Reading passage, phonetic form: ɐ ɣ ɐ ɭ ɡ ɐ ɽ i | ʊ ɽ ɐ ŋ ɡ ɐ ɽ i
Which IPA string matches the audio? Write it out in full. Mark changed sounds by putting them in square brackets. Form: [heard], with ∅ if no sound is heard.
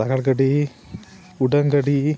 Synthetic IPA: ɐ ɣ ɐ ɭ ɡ ɐ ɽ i | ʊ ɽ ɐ ŋ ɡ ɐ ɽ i